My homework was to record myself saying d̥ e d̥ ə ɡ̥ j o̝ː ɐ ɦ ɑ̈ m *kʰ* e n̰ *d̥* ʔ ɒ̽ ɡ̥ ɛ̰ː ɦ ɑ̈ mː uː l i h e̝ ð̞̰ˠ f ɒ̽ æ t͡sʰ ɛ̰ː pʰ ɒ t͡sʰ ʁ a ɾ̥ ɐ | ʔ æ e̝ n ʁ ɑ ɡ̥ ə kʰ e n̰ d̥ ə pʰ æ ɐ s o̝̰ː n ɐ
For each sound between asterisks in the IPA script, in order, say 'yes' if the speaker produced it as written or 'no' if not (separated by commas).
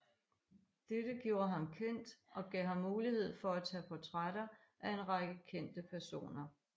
yes, yes